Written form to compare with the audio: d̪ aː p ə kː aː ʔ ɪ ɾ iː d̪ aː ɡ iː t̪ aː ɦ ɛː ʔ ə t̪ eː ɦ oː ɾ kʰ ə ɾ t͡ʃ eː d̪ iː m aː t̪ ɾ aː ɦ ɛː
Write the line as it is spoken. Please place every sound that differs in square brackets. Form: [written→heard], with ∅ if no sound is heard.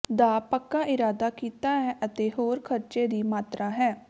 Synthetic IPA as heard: d̪ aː p ə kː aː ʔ ɪ ɾ [iː→aː] d̪ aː [ɡ→k] iː t̪ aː ɦ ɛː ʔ ə t̪ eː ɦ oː ɾ kʰ ə ɾ t͡ʃ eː d̪ iː m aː t̪ ɾ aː ɦ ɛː